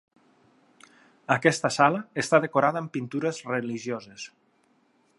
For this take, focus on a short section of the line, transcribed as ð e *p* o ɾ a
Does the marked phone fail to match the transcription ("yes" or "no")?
yes